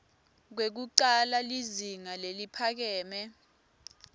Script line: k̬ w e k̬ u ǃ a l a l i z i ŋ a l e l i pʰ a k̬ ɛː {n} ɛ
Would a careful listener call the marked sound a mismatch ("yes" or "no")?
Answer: yes